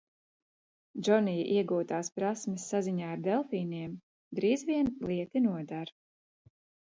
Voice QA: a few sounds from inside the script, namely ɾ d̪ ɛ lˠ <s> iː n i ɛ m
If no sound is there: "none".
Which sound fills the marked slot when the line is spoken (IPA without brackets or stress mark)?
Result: f